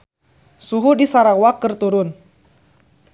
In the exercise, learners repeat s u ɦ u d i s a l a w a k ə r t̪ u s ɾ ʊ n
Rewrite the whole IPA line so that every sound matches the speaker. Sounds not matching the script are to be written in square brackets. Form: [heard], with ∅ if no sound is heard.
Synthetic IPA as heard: s u ɦ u d i s a [ɾ] a w a k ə r t̪ u [∅] ɾ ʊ n

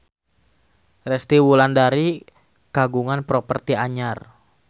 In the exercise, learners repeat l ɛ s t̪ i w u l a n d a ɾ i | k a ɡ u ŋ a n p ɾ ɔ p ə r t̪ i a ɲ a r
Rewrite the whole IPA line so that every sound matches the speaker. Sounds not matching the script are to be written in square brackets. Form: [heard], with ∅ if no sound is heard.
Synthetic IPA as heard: [r] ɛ s t̪ i w u l a n d a ɾ i | k a ɡ u ŋ a n p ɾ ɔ p ə r t̪ i a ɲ a r

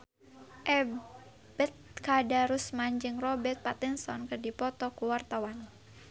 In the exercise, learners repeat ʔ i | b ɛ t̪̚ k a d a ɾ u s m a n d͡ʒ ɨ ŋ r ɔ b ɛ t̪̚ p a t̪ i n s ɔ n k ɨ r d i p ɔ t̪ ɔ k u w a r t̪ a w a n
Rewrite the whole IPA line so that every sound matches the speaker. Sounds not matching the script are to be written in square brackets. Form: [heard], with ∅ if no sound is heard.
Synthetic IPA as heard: ʔ [ɛ] | b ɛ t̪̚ k a d a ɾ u s m a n d͡ʒ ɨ ŋ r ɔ b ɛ t̪̚ p a t̪ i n s ɔ n k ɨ r d i p ɔ t̪ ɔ k u w a r t̪ a w a n

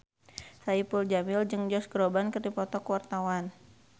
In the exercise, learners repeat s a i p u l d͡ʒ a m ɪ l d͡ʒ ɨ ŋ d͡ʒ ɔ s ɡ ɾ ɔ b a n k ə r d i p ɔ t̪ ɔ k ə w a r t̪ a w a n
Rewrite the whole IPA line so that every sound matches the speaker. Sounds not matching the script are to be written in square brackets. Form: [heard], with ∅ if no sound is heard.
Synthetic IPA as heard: s a i p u l d͡ʒ a m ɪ l d͡ʒ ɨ ŋ d͡ʒ ɔ s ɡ ɾ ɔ b a n k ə r d i p ɔ t̪ ɔ k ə w a r t̪ a w a n

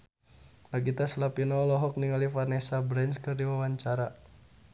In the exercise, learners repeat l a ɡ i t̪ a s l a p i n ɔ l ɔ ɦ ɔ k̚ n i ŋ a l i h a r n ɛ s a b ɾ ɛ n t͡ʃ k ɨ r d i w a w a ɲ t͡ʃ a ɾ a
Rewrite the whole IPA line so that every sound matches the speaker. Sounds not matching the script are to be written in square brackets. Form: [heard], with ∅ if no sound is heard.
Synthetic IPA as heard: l a ɡ i t̪ a s l a p i n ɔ l ɔ ɦ ɔ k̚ n i ŋ a l i [f] a r n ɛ s a b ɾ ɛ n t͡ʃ k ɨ r d i w a w a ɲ t͡ʃ a ɾ a

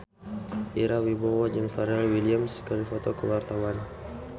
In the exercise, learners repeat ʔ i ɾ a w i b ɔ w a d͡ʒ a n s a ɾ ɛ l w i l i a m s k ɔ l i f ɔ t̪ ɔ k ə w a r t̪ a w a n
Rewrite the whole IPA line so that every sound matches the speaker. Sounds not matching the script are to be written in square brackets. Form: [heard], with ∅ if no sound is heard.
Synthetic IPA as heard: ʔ i ɾ a w i b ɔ w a d͡ʒ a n [f] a ɾ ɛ l w i l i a m s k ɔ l i f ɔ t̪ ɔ k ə w a r t̪ a w a n

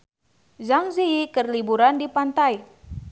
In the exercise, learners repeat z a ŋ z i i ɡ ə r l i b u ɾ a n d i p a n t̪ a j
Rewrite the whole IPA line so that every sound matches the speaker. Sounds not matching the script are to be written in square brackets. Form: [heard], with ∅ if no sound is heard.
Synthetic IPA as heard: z a ŋ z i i [k] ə r l i b u ɾ a n d i p a n t̪ a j

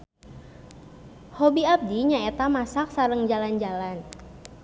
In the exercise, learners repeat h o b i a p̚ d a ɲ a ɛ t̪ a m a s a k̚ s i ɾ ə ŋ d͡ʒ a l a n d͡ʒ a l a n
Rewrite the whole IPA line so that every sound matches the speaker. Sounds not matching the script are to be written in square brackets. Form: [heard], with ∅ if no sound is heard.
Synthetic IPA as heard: h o b i a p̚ d [i] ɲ a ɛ t̪ a m a s a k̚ s [a] ɾ ə ŋ d͡ʒ a l a n d͡ʒ a l a n

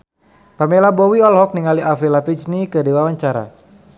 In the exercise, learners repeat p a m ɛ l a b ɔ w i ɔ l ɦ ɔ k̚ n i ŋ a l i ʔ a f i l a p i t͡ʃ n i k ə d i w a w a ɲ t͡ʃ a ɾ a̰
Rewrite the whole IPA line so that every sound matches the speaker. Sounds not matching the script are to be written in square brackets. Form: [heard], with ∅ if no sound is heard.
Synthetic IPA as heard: p a m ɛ l a b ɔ w i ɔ l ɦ ɔ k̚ n i ŋ a l i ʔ a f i l a p i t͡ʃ n i k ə d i w a w a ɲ t͡ʃ a ɾ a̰

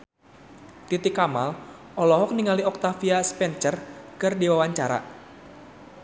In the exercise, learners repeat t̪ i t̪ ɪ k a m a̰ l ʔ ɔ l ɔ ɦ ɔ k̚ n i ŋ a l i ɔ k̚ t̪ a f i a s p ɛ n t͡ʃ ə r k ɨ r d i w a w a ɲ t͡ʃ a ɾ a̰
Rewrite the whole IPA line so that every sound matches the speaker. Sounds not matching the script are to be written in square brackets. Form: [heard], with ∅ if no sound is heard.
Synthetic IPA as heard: t̪ i t̪ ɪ k a m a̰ l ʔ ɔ l ɔ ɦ ɔ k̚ n i ŋ a l i ɔ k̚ t̪ a f i a s p ɛ n t͡ʃ ə r k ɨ r d i w a w a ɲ t͡ʃ a ɾ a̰

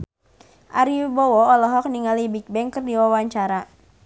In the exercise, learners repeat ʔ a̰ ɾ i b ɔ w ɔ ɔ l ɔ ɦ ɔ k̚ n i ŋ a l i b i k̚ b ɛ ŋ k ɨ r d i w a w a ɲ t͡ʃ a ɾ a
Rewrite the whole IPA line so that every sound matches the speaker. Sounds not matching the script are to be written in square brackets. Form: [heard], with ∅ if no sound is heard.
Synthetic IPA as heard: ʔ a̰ ɾ i b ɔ w ɔ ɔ l ɔ ɦ ɔ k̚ n i ŋ a l i b i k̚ b ɛ ŋ k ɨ r d i w a w a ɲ t͡ʃ a ɾ a

